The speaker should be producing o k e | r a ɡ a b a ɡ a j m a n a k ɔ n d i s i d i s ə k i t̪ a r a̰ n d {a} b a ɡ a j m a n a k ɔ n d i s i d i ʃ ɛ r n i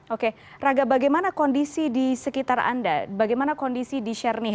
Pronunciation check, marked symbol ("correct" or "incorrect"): correct